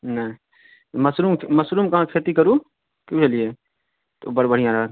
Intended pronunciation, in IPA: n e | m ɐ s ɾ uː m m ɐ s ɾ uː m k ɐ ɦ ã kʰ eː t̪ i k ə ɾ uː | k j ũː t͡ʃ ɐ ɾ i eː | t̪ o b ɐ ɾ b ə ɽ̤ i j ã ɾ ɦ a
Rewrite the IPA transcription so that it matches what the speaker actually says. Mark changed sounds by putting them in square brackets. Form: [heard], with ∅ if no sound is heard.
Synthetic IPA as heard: n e | m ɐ s ɾ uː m m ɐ s ɾ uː m k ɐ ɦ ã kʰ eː t̪ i k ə ɾ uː | k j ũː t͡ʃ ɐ [l] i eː | t̪ o b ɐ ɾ b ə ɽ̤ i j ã ɾ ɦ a